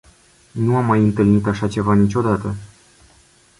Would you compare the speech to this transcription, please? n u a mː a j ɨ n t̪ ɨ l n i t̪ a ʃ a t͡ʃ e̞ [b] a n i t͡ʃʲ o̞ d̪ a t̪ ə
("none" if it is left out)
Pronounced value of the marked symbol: v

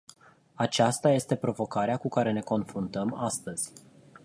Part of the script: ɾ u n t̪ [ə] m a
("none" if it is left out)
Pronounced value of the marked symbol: ə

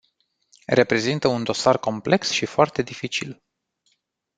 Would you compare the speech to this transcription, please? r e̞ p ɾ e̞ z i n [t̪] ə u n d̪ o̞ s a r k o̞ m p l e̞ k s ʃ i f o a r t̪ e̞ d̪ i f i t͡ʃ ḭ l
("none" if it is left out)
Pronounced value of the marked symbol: t̪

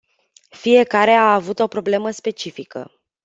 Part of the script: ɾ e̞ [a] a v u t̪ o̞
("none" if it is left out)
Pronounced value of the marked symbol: a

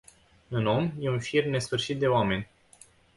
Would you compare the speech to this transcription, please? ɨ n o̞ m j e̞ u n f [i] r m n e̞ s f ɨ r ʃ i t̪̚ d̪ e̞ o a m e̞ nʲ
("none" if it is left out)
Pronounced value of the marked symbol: i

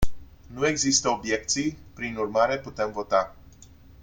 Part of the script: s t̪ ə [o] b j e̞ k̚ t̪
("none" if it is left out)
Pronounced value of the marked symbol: o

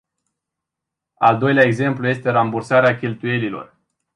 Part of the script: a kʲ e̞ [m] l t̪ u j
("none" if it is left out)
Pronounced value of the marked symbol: none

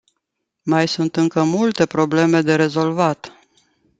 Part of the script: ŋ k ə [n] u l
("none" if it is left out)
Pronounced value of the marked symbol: m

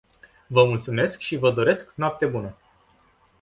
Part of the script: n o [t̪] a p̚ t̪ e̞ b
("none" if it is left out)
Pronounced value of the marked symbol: none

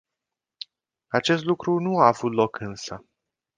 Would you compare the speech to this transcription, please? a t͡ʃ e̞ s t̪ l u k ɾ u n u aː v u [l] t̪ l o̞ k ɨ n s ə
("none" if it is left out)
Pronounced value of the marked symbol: none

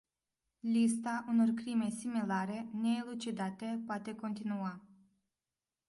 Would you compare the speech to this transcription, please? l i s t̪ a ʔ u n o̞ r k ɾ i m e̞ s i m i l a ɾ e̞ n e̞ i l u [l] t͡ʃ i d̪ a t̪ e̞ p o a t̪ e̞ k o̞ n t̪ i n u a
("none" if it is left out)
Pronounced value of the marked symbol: none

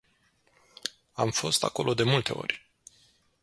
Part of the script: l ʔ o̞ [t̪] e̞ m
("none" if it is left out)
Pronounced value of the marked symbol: d̪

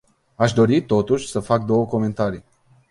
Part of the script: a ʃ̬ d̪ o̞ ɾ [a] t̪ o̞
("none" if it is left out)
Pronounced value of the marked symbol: i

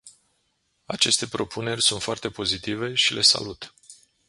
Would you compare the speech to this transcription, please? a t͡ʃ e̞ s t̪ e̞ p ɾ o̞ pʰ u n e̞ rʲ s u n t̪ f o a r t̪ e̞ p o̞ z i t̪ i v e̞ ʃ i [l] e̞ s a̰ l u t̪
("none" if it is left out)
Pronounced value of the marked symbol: l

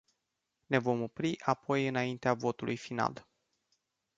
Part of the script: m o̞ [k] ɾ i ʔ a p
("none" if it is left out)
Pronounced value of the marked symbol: p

